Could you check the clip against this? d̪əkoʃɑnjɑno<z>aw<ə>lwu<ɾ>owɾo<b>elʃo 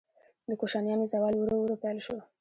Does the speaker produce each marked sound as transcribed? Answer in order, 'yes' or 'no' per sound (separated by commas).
yes, no, yes, no